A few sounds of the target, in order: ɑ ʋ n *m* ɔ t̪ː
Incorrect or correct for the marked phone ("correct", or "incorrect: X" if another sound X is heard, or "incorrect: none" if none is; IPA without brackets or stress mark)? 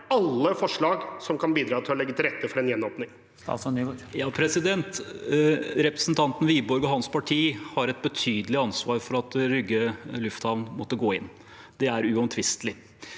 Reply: correct